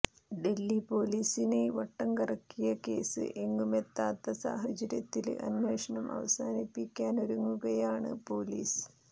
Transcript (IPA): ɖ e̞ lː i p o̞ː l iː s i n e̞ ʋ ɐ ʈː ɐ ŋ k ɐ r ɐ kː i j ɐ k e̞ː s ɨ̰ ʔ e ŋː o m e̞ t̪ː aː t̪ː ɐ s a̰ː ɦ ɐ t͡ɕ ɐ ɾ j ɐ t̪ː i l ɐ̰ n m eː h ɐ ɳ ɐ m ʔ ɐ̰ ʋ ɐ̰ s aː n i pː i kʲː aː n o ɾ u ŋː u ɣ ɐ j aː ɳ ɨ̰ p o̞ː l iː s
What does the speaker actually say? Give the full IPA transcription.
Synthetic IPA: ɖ e̞ lː i p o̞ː l iː s i n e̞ ʋ ɐ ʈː ɐ ŋ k ɐ r ɐ kː i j ɐ k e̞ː s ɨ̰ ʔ e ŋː u m e̞ t̪ː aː t̪ː ɐ s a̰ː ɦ ɐ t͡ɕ ɐ ɾ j ɐ t̪ː i l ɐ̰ n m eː ʂ ɐ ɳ ɐ m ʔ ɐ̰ ʋ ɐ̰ s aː n i pː i kʲː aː n o ɾ u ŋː u ɣ ɐ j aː ɳ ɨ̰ p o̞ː l iː s

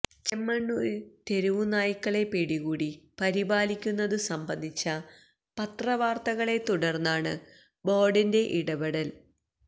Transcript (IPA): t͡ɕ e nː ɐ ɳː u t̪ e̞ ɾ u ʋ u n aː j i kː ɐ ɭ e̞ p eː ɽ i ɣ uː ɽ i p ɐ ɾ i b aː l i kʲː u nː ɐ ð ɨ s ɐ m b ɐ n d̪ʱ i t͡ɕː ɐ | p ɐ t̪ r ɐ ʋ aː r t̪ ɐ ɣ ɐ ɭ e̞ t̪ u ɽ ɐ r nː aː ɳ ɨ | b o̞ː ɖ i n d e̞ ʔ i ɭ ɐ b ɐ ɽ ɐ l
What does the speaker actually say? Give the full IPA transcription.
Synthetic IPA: t͡ɕ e mː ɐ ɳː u t̪ e̞ ɾ u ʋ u n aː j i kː ɐ ɭ e̞ p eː ɽ i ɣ uː ɽ i p ɐ ɾ i b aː l i kʲː u nː ɐ ð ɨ s ɐ m b ɐ n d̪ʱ i t͡ɕː ɐ | p ɐ t̪ r ɐ ʋ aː r t̪ ɐ ɣ ɐ ɭ e̞ t̪ u ɽ ɐ r nː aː ɳ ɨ | b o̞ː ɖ i n d e̞ ʔ i ɽ ɐ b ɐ ɽ ɐ l

